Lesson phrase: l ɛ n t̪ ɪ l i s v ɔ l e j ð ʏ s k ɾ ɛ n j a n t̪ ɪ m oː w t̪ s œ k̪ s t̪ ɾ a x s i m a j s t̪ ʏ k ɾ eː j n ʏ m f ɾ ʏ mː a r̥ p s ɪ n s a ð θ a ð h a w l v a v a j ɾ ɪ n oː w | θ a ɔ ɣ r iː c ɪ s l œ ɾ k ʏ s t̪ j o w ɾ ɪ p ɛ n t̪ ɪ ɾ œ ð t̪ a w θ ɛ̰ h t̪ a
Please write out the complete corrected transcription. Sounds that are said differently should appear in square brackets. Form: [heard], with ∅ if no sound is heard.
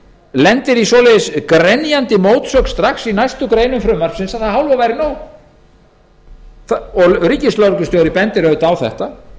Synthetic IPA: l ɛ n t̪ ɪ [ɾ] i s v ɔ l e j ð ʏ s k ɾ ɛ n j a n t̪ ɪ m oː w t̪ s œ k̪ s t̪ ɾ a x s i [n] a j s t̪ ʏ k ɾ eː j n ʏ m f ɾ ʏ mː a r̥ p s ɪ n s a ð θ a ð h a w l v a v a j ɾ ɪ n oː w | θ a ɔ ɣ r iː c ɪ s l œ ɾ k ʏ s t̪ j o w ɾ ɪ p ɛ n t̪ ɪ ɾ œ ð t̪ a w θ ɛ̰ h t̪ a